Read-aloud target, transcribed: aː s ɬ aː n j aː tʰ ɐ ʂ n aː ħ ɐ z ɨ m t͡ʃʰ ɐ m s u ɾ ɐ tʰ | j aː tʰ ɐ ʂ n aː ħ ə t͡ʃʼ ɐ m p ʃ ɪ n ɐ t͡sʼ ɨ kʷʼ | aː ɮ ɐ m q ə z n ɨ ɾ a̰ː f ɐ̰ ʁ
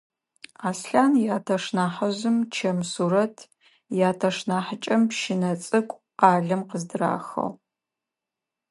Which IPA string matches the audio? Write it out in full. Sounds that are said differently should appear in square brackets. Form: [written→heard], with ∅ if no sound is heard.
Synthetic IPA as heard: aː s ɬ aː n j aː tʰ ɐ ʂ n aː ħ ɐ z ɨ m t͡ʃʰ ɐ m s u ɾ ɐ tʰ | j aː tʰ ɐ ʂ n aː ħ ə t͡ʃʼ ɐ m p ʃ ɪ n ɐ t͡sʼ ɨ kʷʼ | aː ɮ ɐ m q ə z [n→d] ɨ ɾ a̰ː [f→x] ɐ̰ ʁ